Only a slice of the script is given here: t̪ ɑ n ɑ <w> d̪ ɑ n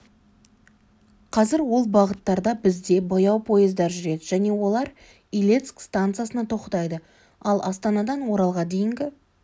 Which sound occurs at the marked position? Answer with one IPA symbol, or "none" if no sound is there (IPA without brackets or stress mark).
none